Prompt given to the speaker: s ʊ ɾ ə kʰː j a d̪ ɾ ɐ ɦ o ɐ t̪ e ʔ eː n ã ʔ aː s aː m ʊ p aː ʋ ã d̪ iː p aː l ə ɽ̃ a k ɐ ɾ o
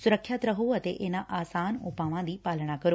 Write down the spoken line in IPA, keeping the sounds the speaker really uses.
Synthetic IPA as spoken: s ʊ ɾ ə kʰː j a t̪ ɾ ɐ ɦ o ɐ t̪ e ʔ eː n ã ʔ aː s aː n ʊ p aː ʋ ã d̪ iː p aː l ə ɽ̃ a k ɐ ɾ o